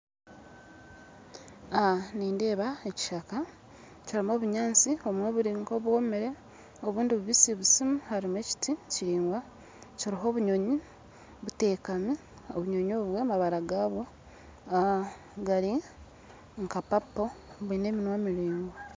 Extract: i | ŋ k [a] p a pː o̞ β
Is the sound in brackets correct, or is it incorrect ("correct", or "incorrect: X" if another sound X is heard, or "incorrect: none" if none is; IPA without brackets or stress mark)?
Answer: correct